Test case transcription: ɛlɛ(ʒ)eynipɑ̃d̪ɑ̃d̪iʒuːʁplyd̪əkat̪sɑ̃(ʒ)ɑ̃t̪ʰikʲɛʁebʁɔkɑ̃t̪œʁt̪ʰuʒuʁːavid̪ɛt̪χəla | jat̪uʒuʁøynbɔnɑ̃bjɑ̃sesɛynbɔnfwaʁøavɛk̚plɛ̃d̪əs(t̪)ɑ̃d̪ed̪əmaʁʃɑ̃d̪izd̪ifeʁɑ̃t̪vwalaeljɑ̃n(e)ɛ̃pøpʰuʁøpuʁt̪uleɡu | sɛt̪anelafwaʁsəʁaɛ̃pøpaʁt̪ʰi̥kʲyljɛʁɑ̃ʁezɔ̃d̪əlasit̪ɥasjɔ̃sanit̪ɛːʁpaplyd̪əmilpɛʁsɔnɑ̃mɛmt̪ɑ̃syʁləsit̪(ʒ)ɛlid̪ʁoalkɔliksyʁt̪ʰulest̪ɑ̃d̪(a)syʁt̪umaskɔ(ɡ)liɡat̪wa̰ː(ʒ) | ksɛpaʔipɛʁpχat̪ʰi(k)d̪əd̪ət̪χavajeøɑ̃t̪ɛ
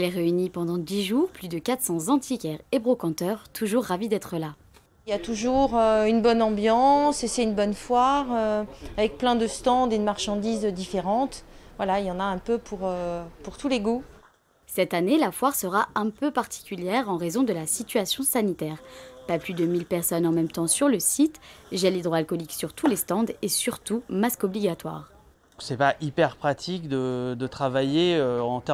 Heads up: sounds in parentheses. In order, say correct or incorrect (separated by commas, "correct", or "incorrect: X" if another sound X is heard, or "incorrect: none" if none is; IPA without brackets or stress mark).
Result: incorrect: ʁ, incorrect: z, correct, incorrect: a, correct, incorrect: e, incorrect: b, incorrect: ʁ, correct